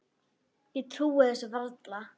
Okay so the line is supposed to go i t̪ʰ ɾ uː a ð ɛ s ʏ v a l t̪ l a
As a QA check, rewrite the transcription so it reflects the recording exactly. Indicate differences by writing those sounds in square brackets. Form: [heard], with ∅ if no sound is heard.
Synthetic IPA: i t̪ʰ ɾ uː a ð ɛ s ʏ v a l t̪ l a